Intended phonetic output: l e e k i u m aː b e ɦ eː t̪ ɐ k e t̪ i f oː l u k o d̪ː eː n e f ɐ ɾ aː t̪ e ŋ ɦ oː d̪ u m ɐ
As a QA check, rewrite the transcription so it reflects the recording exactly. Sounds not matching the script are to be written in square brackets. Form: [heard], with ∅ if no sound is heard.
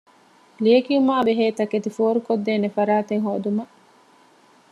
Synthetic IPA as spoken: l [i] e k i u m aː b e ɦ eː t̪ ɐ k e t̪ i f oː [ɾ] u k o d̪ː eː n e f ɐ ɾ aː t̪ e ŋ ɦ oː d̪ u m ɐ